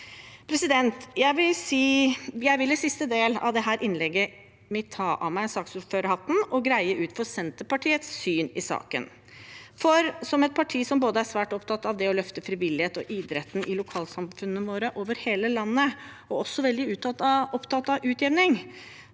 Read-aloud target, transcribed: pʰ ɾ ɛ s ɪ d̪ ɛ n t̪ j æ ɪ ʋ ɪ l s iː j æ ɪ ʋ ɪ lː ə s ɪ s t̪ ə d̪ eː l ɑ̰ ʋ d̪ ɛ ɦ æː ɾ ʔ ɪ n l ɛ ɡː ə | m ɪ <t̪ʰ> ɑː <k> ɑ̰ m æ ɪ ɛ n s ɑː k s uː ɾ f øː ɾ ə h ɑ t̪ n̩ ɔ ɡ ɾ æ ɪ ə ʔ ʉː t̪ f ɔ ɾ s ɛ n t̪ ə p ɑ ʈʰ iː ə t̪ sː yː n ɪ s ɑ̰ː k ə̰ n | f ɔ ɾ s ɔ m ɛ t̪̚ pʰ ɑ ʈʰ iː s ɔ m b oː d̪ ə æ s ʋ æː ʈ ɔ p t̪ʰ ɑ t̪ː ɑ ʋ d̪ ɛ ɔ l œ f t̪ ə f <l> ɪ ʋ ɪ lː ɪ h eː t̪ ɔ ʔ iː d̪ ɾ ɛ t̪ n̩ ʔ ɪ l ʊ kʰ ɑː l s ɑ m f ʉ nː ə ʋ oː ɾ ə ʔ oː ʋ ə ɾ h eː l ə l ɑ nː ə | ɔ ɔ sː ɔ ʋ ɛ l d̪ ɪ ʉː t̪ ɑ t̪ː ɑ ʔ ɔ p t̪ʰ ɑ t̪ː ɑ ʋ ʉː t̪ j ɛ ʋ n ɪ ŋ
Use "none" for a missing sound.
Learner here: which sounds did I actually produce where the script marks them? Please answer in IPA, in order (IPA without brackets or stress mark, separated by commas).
t̪ʰ, ʔ, ɾ